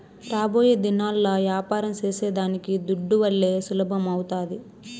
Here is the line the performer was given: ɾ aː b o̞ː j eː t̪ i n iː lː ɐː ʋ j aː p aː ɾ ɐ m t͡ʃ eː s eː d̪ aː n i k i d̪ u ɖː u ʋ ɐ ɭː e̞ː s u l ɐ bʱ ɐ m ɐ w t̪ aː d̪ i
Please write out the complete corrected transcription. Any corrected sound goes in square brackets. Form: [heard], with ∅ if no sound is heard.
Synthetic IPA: ɾ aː b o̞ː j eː [d̪] i n [aː] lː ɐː ʋ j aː p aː ɾ ɐ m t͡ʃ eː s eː d̪ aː n i k i d̪ u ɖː u ʋ ɐ ɭː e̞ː s u l ɐ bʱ ɐ m ɐ w t̪ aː d̪ i